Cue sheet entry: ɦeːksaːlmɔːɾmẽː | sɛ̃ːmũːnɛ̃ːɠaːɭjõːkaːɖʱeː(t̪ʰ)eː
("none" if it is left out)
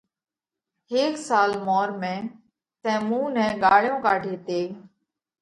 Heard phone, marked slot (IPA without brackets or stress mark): t̪